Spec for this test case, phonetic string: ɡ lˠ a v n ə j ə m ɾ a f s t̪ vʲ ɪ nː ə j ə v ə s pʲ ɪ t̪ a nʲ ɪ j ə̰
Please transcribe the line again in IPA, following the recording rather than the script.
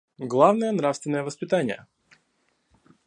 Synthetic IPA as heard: ɡ lˠ a v n ə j ə n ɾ a f s t̪ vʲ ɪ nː ə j ə v ə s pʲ ɪ t̪ a nʲ ɪ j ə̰